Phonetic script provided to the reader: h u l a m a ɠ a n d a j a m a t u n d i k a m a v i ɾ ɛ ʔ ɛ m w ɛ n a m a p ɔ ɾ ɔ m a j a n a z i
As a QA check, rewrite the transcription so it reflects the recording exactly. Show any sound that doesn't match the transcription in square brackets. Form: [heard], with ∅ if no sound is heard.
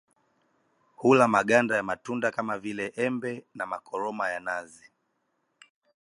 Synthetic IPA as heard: h u l a m a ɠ a n d a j a m a t u n d [a] k a m a v i [l] ɛ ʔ ɛ m [b] ɛ n a m a [k] ɔ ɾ ɔ m a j a n a z i